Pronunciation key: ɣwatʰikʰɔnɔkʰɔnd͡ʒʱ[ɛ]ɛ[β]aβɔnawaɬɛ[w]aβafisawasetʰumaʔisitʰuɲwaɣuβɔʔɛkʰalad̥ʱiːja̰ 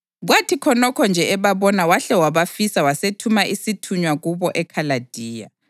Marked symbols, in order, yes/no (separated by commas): yes, yes, yes